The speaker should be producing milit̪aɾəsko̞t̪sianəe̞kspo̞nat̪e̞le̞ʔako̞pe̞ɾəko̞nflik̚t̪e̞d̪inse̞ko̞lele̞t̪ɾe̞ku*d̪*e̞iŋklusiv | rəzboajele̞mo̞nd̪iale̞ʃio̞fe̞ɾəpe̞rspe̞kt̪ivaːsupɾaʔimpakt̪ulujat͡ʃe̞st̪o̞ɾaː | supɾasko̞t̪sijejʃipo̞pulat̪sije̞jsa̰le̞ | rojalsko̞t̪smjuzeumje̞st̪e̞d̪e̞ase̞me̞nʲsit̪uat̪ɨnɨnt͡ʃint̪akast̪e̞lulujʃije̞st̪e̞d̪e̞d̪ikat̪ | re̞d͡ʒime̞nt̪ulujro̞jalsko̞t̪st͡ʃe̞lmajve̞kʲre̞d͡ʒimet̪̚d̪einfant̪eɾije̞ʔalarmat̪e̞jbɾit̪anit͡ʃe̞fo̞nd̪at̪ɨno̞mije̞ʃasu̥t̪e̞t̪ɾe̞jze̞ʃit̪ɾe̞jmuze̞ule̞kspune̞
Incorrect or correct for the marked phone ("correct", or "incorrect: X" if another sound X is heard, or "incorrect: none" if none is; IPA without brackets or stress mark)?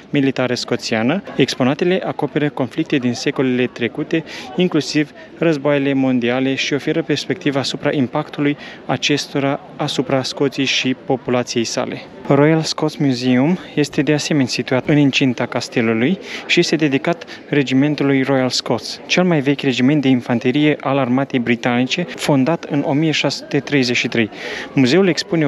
incorrect: t̪